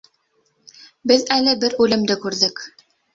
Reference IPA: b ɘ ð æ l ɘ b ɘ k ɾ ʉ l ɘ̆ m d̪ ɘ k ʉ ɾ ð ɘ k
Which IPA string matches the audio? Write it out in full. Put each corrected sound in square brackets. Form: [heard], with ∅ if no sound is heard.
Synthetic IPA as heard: b ɘ ð æ l ɘ b ɘ [∅] ɾ ʉ l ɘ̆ m d̪ ɘ k ʉ ɾ ð ɘ k